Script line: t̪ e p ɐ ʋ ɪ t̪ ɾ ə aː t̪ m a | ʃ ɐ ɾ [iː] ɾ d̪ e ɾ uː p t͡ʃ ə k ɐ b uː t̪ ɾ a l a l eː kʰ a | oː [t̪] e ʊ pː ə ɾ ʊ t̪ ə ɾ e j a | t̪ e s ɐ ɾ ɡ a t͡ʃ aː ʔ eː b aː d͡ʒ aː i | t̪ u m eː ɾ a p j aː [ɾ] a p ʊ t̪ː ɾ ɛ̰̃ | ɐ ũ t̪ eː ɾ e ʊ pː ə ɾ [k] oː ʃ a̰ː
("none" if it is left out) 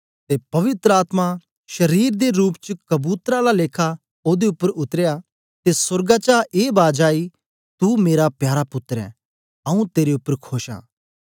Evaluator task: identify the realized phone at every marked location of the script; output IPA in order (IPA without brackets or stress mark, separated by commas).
iː, d̪, ɾ, kʰ